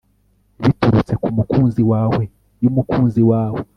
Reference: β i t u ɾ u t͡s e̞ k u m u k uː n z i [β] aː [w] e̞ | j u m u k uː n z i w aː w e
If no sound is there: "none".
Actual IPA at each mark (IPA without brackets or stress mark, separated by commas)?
w, w